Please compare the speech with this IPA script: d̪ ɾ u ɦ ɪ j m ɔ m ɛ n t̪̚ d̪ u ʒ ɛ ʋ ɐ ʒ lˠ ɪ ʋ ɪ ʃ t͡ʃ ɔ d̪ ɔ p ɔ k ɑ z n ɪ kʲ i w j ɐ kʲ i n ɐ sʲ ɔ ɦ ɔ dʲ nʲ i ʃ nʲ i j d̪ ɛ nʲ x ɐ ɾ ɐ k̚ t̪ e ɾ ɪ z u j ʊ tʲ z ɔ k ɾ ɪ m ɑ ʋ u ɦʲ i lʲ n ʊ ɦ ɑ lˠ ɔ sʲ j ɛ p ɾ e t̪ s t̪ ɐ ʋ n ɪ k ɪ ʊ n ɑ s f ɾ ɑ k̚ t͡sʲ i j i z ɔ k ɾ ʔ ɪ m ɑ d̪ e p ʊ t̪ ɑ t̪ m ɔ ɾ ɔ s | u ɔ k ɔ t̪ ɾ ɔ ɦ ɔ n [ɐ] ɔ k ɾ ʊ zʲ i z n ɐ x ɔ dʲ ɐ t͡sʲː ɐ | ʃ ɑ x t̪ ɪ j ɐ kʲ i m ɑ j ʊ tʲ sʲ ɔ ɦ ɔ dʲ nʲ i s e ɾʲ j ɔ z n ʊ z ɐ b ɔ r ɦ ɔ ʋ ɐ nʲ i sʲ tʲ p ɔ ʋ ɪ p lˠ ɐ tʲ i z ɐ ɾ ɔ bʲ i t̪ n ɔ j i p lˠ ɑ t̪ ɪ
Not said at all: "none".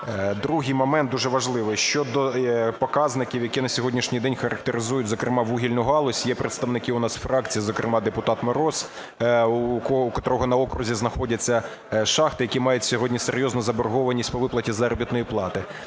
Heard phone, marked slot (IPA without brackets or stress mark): ɐ